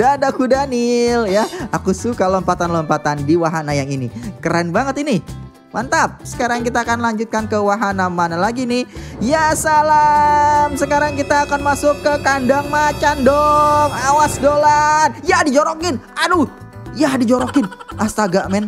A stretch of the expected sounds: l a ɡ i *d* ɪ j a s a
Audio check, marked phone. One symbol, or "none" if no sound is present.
n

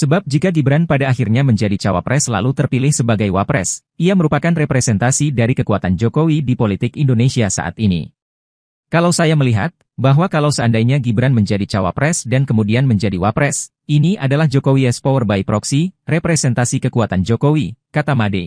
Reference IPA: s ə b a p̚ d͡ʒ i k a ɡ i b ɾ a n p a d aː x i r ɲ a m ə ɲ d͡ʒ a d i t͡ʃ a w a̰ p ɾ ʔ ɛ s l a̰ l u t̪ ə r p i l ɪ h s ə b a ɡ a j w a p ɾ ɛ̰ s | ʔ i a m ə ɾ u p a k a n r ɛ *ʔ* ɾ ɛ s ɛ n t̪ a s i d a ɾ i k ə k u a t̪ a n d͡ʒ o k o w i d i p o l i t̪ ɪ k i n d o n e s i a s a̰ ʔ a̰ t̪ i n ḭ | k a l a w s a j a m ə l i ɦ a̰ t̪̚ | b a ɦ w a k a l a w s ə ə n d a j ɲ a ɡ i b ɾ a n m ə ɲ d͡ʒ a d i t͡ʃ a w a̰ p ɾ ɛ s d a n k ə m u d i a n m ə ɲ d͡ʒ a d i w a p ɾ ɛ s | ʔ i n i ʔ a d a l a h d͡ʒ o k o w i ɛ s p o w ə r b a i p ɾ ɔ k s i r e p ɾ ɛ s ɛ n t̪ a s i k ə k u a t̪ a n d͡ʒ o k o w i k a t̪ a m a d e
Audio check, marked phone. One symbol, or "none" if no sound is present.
p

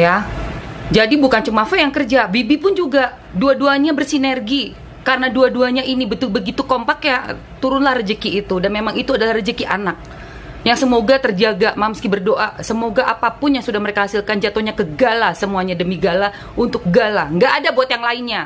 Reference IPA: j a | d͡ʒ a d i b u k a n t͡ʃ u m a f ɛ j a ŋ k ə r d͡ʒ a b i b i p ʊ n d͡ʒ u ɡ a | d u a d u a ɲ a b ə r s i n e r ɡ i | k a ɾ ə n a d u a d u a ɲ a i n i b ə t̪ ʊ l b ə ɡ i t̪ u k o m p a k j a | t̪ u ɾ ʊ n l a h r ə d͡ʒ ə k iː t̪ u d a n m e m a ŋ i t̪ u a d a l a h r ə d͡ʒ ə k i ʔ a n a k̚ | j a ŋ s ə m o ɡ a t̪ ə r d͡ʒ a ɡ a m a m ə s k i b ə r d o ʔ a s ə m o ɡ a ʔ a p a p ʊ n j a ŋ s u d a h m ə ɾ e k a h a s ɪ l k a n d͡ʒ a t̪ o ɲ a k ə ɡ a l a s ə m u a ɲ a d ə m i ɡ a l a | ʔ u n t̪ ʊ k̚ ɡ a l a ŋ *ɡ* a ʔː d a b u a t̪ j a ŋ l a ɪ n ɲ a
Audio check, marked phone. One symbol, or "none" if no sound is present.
ɡ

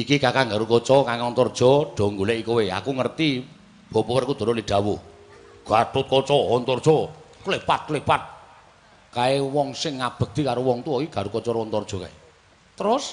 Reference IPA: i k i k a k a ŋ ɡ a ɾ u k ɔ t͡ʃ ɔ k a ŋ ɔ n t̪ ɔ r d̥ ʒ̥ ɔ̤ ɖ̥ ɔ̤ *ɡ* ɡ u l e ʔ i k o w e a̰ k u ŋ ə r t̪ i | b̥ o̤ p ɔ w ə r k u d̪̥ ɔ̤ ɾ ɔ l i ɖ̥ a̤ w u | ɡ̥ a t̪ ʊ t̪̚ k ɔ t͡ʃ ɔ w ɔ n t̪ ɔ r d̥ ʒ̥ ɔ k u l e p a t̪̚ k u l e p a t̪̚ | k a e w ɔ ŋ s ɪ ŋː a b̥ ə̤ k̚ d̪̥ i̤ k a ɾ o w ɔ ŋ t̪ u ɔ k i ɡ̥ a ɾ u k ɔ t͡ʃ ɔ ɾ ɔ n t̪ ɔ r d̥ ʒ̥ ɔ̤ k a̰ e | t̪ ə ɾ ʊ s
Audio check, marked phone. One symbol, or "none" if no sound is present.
ŋ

